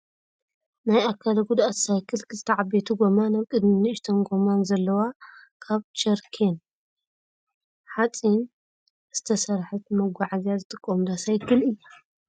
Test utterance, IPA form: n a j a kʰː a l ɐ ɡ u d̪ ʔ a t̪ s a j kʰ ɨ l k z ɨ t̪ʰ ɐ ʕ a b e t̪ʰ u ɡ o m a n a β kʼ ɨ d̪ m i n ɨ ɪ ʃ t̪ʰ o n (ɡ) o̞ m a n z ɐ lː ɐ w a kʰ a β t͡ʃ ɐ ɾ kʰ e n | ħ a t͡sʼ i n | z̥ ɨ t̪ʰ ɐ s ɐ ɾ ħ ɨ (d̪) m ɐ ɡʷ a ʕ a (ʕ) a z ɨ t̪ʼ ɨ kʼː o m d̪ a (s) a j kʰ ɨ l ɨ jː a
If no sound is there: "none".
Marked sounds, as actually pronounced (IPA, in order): ɡ, t̪, z, s

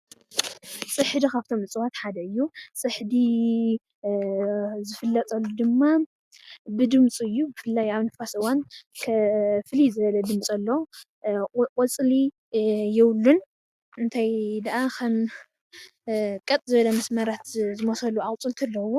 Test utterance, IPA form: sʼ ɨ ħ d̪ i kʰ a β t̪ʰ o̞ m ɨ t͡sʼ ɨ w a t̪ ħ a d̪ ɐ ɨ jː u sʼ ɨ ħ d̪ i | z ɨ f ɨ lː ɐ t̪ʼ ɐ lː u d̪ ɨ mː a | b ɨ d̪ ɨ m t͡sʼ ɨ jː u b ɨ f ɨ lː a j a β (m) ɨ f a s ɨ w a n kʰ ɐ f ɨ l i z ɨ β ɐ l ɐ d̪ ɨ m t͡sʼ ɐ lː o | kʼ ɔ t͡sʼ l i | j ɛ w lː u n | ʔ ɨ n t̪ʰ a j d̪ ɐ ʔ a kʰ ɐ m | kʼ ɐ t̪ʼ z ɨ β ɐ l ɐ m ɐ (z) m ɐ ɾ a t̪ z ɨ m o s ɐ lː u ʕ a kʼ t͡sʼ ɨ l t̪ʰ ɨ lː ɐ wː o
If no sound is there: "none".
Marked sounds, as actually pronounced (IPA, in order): n, s

